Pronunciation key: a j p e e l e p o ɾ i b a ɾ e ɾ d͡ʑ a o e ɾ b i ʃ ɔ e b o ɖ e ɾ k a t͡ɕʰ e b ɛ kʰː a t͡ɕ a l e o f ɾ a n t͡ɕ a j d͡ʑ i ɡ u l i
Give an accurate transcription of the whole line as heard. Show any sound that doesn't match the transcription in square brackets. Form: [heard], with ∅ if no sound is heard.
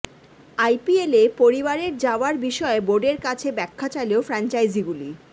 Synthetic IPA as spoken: a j p [i] e l e p o ɾ i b a ɾ e ɾ d͡ʑ a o [a] ɾ b i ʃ ɔ e b o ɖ e ɾ k a t͡ɕʰ e b ɛ kʰː a t͡ɕ a l e o f ɾ a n t͡ɕ a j d͡ʑ i ɡ u l i